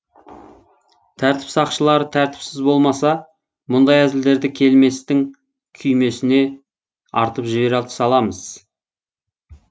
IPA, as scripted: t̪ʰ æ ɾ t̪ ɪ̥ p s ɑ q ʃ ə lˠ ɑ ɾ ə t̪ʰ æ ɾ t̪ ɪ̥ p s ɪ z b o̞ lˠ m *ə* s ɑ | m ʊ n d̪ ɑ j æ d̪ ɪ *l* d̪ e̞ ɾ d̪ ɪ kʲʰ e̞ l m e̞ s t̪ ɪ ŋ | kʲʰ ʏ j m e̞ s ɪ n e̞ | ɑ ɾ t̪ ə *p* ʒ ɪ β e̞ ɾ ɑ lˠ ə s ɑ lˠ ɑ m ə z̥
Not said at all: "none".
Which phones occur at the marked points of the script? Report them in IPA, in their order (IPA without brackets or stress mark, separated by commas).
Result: ɑ, l, p